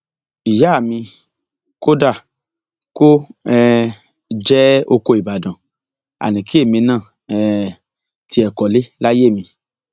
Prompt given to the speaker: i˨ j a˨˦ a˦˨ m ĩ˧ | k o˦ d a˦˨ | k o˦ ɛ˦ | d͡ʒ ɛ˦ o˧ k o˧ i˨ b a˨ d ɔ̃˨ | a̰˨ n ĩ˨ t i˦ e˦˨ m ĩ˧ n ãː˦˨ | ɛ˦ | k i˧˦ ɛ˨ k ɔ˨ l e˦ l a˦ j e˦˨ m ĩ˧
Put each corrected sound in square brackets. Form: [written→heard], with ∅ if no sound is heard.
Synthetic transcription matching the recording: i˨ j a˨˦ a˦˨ m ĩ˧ | k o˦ d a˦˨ | k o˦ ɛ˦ | d͡ʒ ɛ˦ o˧ k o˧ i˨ b a˨ d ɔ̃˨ | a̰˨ n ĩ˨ [t→k] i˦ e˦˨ m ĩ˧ n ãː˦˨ | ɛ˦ | [k→t] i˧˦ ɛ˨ k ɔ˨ l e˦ l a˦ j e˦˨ m ĩ˧

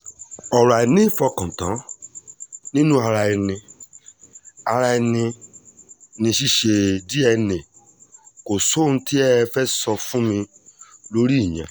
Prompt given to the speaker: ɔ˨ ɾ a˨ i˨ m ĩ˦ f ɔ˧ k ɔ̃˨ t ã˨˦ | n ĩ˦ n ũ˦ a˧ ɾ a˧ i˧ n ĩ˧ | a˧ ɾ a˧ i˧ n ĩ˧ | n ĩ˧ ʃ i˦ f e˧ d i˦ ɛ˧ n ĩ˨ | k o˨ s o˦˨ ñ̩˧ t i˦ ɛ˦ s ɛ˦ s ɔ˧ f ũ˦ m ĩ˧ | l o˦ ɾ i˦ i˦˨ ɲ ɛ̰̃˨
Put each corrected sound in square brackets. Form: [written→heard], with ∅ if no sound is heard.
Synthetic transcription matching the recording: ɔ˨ ɾ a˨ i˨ [m→n] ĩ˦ f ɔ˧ k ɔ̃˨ t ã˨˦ | n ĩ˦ n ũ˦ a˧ ɾ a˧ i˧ n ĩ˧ | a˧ ɾ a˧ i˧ n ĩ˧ | n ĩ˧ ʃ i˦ [f→ʃ] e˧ d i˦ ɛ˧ n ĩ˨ | k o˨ s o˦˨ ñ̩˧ t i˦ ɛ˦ [s→f] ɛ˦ s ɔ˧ f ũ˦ m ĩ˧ | l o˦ ɾ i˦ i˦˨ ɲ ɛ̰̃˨

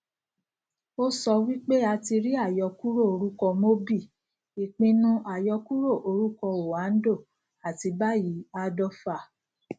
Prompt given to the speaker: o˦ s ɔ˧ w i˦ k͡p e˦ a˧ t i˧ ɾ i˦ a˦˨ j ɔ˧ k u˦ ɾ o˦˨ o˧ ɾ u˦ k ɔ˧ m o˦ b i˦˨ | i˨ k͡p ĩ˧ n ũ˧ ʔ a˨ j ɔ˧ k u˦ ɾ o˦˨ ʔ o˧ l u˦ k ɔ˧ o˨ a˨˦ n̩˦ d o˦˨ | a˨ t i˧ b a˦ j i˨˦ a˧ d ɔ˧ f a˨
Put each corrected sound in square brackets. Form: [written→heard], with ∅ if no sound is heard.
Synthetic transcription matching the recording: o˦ s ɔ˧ w i˦ k͡p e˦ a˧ t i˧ ɾ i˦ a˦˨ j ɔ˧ k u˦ ɾ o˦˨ o˧ ɾ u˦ k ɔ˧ m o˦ b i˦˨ | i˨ k͡p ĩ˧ n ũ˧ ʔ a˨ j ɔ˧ k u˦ ɾ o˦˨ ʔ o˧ [l→ɾ] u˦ k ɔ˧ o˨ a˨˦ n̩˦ d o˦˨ | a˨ t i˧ b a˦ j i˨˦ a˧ d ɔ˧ f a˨

